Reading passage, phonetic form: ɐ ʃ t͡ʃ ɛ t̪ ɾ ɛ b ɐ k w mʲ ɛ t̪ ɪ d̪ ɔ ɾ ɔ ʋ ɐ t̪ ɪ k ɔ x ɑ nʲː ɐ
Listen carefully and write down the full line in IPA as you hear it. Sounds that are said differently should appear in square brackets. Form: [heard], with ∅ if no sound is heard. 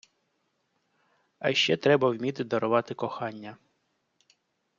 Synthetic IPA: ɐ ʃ t͡ʃ ɛ t̪ ɾ ɛ b ɐ [∅] w mʲ [i] t̪ ɪ d̪ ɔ ɾ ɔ ʋ [ɑ] t̪ ɪ k ɔ x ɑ nʲː ɐ